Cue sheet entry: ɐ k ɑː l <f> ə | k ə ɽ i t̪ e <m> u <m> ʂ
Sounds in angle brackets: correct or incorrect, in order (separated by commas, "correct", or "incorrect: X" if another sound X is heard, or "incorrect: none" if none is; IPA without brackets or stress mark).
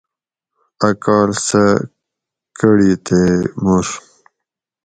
incorrect: s, correct, incorrect: none